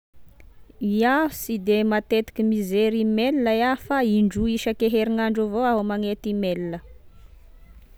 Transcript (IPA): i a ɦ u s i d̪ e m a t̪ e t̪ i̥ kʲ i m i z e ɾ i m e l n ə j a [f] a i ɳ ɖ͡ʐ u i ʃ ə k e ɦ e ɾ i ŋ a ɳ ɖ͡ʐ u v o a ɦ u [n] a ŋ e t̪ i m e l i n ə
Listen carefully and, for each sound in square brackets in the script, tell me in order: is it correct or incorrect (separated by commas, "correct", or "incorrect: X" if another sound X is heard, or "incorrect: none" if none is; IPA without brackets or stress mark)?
correct, incorrect: m